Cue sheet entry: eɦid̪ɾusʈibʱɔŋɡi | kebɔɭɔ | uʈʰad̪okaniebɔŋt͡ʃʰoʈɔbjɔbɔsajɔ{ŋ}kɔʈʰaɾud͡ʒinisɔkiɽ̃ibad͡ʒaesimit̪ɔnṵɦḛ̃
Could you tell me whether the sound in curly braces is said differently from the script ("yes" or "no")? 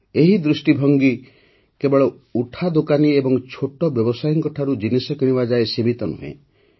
no